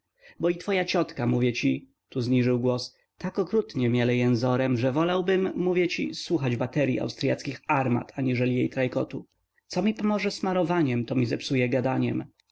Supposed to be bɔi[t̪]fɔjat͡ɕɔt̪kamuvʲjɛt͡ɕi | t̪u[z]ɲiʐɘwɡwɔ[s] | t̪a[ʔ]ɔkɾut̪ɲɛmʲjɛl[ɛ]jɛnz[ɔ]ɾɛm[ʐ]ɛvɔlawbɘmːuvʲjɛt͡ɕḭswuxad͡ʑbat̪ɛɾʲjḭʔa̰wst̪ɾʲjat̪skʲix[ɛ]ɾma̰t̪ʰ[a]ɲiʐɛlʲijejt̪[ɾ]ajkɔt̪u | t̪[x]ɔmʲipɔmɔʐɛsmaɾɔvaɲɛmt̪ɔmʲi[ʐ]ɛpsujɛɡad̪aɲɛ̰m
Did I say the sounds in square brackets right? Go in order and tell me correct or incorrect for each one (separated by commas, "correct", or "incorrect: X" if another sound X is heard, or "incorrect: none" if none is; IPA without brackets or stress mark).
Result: correct, correct, correct, incorrect: k, correct, correct, correct, incorrect: a, correct, correct, incorrect: s, incorrect: z